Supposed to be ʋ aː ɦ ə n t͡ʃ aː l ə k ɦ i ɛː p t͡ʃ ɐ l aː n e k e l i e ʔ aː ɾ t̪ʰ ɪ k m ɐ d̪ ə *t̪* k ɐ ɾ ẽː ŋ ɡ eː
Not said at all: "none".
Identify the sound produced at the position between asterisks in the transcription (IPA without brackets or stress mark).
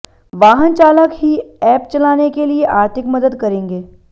d̪